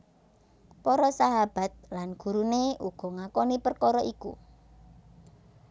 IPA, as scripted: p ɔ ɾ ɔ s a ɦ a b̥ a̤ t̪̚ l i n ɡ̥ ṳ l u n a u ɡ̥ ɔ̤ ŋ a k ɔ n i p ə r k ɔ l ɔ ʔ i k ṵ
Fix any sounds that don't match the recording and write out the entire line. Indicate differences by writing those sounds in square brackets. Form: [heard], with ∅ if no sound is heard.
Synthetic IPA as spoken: p ɔ ɾ ɔ s a ɦ a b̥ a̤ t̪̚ l [a] n ɡ̥ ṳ [ɾ] u n [e] u ɡ̥ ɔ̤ ŋ a k ɔ n i p ə r k ɔ [ɾ] ɔ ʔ i k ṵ